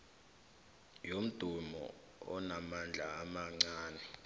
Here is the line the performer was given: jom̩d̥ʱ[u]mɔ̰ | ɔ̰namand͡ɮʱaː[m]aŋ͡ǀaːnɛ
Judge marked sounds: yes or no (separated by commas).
yes, yes